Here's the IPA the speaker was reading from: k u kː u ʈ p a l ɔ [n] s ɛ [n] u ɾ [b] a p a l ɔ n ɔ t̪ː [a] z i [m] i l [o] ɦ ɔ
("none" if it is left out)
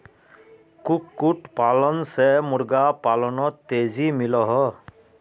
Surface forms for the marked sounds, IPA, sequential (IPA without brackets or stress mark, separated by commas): n, m, ɡ, e, m, ɔ